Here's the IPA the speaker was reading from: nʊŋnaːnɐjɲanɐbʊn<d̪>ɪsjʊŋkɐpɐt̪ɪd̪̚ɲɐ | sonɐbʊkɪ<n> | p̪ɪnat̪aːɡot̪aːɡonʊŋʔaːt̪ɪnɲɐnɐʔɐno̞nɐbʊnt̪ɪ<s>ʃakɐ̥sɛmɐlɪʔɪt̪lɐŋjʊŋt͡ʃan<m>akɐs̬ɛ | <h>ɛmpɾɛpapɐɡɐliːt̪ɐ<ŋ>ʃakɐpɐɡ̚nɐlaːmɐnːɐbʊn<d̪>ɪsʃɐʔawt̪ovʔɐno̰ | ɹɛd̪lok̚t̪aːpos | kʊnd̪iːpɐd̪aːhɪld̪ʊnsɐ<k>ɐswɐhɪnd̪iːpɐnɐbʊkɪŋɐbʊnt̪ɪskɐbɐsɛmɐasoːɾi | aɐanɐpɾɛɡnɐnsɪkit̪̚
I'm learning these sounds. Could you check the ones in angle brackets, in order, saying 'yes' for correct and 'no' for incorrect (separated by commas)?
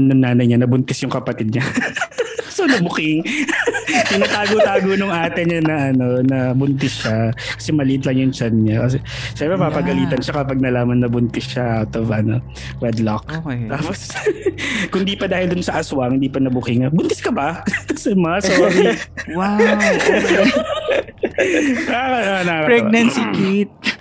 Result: no, no, yes, no, no, no, no, no